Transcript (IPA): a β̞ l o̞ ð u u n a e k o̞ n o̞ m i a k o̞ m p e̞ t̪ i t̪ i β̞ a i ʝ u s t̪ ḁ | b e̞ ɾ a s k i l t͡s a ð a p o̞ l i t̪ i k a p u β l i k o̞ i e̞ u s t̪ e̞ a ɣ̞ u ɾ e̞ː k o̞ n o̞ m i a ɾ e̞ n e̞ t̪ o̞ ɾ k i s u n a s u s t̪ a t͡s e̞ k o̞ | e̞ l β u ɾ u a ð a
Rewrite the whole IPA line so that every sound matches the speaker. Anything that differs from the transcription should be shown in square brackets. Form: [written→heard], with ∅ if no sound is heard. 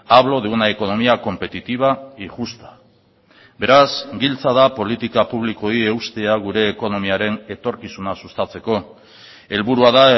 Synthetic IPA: a β̞ l o̞ ð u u n a e k o̞ n o̞ m i a k o̞ m p e̞ t̪ i t̪ i β̞ a i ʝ u s t̪ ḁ | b e̞ ɾ a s [k→ɡ] i l t͡s a ð a p o̞ l i t̪ i k a p u β l i k o̞ i e̞ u s t̪ e̞ a ɣ̞ u ɾ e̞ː k o̞ n o̞ m i a ɾ e̞ n e̞ t̪ o̞ ɾ k i s u n a s u s t̪ a t͡s e̞ k o̞ | e̞ l β u ɾ u a ð a